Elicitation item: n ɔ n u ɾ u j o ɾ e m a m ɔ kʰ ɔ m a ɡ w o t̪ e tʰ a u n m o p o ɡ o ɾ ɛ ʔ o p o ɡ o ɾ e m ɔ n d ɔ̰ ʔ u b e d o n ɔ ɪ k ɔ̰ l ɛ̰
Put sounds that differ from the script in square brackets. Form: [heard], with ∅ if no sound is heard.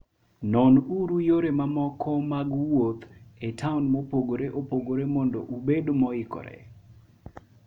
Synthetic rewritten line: n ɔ n u ɾ u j o ɾ e m a m ɔ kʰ ɔ m a ɡ w o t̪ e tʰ a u n m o p o ɡ o ɾ [e] ʔ o p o ɡ o ɾ e m ɔ n d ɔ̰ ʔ u b e d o [m] ɔ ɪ k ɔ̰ [ɾ] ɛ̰